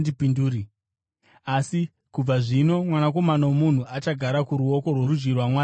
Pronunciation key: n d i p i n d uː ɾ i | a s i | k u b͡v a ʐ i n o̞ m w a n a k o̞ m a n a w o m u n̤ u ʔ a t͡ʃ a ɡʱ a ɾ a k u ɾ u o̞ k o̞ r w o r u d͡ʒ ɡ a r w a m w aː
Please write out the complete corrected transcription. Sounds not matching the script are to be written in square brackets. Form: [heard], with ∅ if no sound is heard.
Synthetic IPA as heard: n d i p i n d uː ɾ i | a s i | k u b͡v a ʐ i n o̞ m w a n a k o̞ m a n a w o m u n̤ u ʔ a t͡ʃ a ɡʱ a ɾ a k u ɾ u o̞ k o̞ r w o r u d͡ʒ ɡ [i] r w a m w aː